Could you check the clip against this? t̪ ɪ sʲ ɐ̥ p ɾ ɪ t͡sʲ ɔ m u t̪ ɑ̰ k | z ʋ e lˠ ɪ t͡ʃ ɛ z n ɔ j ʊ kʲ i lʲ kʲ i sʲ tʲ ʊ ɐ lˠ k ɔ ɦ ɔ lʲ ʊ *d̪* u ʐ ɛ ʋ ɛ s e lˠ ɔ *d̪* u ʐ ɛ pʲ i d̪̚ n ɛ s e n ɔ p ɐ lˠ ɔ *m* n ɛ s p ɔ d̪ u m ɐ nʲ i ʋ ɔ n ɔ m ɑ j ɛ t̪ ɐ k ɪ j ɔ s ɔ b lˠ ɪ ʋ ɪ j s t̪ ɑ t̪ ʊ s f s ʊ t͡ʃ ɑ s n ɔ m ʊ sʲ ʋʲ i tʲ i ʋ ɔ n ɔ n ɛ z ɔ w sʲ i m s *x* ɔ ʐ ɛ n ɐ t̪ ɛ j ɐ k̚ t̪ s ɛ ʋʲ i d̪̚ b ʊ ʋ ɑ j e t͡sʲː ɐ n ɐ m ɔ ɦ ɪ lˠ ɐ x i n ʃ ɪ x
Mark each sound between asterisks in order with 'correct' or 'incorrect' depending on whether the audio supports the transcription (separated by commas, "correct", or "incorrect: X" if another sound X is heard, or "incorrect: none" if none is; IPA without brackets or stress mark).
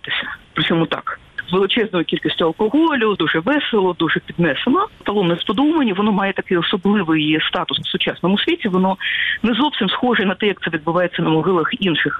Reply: correct, correct, correct, correct